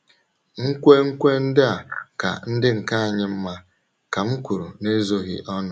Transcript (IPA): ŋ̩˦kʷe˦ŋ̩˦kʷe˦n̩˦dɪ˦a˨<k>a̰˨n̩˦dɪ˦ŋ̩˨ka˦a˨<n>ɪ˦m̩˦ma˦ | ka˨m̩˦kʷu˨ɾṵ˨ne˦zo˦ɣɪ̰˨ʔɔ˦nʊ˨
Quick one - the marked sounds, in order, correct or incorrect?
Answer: correct, incorrect

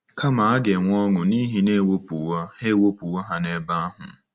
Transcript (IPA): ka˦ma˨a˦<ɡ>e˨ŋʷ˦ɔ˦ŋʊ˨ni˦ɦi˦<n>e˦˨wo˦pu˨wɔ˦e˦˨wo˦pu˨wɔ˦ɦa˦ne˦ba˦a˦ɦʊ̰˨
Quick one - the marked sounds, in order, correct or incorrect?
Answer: correct, correct

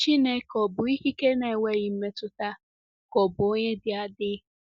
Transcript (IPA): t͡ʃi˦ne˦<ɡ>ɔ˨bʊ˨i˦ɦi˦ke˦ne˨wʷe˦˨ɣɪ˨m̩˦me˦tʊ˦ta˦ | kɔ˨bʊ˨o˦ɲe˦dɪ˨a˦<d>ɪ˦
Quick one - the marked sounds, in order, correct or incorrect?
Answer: incorrect, correct

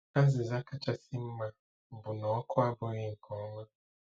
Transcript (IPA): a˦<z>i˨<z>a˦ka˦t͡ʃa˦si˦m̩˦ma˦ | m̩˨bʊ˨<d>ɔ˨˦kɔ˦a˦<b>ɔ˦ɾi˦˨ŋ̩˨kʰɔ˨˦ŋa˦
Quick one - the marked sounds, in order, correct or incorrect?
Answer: correct, correct, incorrect, correct

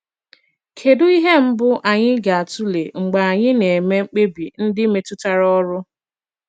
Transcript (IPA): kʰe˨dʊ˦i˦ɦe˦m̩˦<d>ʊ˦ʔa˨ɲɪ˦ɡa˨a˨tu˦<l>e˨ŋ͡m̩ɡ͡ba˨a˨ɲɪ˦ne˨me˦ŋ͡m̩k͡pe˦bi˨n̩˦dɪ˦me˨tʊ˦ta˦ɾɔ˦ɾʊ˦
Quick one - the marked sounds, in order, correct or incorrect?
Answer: incorrect, correct

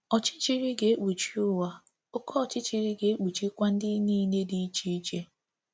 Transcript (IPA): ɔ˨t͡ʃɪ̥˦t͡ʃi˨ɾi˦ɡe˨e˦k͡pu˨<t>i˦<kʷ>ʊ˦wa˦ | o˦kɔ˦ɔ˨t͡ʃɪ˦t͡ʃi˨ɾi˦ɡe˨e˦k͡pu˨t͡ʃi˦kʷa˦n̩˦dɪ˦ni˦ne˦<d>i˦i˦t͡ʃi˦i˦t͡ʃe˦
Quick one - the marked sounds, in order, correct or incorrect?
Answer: incorrect, incorrect, correct

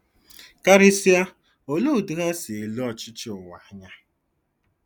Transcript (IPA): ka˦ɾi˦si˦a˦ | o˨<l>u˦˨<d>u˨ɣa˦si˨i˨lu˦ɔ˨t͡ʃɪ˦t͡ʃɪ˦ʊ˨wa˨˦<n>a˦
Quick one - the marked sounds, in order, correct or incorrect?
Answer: correct, correct, incorrect

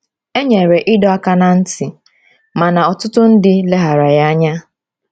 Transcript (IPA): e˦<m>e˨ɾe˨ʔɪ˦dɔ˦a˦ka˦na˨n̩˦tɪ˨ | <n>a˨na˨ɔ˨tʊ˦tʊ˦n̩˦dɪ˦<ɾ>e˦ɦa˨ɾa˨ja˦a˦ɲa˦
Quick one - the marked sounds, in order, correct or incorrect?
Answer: incorrect, incorrect, incorrect

